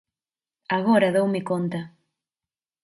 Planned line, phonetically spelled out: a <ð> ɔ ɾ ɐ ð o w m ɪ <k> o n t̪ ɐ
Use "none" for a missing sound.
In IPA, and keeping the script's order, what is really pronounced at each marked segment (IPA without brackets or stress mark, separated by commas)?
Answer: ɣ, k